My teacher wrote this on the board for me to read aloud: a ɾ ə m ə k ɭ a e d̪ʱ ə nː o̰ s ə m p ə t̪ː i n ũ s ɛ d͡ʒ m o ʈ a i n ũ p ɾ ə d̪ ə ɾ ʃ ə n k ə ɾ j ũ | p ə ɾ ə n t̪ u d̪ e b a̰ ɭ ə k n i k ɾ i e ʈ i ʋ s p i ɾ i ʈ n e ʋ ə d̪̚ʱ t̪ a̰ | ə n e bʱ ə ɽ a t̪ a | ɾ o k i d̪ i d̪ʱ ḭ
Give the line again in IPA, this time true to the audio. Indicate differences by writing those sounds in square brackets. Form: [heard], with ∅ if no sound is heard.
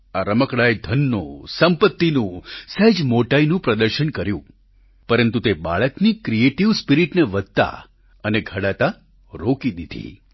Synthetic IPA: a ɾ ə m ə k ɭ a e d̪ʱ ə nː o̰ s ə m p ə t̪ː i n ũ s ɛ d͡ʒ m o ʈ a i n ũ p ɾ ə d̪ ə ɾ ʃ ə n k ə ɾ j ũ | p ə ɾ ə n t̪ u [t̪] e b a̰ ɭ ə k n i k ɾ i e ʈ i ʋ s p i ɾ i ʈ n e ʋ ə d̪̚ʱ t̪ a̰ | ə n e [ɡʱ] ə ɽ a t̪ a | ɾ o k i d̪ i d̪ʱ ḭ

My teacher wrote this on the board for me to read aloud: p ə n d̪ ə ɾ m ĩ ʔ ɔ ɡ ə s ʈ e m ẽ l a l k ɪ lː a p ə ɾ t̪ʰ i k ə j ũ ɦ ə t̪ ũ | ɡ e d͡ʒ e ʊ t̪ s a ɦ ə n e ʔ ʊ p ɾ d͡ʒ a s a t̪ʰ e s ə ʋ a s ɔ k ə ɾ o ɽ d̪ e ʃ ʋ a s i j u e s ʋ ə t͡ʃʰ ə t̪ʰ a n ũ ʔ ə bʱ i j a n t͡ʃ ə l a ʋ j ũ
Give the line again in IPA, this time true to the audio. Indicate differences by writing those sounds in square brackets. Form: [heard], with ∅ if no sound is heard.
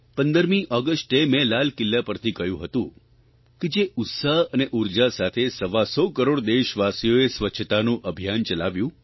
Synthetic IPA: p ə n d̪ ə ɾ m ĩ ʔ ɔ ɡ ə s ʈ e m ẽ l a l k ɪ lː a p ə ɾ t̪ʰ i k ə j ũ ɦ ə t̪ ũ | [k] e d͡ʒ e ʊ t̪ s a ɦ ə n e ʔ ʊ [∅] ɾ d͡ʒ a s a t̪ʰ e s ə ʋ a s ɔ k ə ɾ o ɽ d̪ e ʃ ʋ a s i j [o] e s ʋ ə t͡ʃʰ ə [t̪] a n ũ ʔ ə bʱ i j a n t͡ʃ ə l a ʋ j ũ

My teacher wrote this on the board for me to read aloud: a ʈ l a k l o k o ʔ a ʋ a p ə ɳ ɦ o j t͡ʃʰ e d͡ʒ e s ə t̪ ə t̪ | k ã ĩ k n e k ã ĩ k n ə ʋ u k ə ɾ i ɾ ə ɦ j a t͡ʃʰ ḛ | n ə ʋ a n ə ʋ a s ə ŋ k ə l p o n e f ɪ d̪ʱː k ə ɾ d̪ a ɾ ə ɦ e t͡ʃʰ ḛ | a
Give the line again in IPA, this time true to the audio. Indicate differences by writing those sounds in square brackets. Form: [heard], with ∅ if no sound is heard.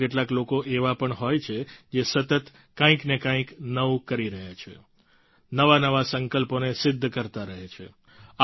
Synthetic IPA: [e] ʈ l a k l o k o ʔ [e] ʋ a p ə ɳ ɦ o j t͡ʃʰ e d͡ʒ e s ə t̪ ə t̪ | k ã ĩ k n e k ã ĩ k n ə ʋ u k ə ɾ i ɾ ə ɦ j a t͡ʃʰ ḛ | n ə ʋ a n ə ʋ a s ə ŋ k ə l p o n e [s] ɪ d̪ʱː k ə ɾ [t̪] a ɾ ə ɦ e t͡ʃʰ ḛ | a

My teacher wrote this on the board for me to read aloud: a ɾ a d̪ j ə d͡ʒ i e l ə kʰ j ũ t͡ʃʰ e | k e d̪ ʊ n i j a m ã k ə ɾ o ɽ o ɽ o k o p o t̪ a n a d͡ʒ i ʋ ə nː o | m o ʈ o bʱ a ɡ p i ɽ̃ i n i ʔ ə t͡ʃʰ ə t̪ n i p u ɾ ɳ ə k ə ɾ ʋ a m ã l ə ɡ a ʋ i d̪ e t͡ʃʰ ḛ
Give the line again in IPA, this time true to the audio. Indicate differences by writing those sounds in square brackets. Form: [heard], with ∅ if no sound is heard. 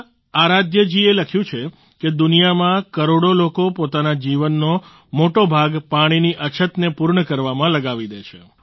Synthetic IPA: a ɾ a d̪ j ə d͡ʒ i e l ə kʰ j ũ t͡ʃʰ e | k e d̪ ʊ n i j a m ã k ə ɾ o ɽ o [l] o k o p o t̪ a n a d͡ʒ i ʋ ə nː o | m o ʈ o bʱ a ɡ p [a] ɽ̃ i n i ʔ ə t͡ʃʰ ə t̪ n [e] p u ɾ ɳ ə k ə ɾ ʋ a m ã l ə ɡ a ʋ i d̪ e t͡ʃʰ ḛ

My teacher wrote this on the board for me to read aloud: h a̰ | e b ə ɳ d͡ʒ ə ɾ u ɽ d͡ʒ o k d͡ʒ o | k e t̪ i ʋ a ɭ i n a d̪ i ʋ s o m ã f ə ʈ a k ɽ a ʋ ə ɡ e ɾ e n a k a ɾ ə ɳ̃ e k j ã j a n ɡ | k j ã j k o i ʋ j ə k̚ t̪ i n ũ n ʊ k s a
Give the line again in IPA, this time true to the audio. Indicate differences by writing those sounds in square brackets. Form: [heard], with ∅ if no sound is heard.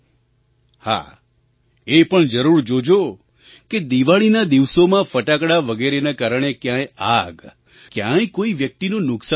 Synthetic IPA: h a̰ | e [p] ə ɳ d͡ʒ ə ɾ u [ɾ] d͡ʒ o [∅] d͡ʒ o | k e [d̪] i ʋ a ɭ i n a d̪ i ʋ s o m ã f ə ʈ a k ɽ a ʋ ə ɡ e ɾ e n a k a ɾ ə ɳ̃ e k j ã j a [∅] ɡ | k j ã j k o i ʋ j ə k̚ t̪ i n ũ n ʊ k s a

